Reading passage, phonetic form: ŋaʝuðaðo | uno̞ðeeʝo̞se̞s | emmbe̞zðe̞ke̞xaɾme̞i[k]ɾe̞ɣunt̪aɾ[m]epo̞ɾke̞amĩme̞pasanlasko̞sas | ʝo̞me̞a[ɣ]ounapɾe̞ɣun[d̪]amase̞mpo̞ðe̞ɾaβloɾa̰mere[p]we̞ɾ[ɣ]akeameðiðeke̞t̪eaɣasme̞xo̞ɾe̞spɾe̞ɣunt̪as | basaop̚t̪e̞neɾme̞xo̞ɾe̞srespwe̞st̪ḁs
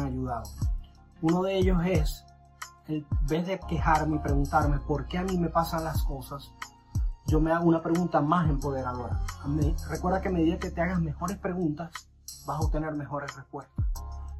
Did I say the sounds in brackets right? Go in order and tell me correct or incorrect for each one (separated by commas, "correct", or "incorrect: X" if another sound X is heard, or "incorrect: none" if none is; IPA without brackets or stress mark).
incorrect: p, correct, correct, incorrect: t̪, incorrect: k, incorrect: ð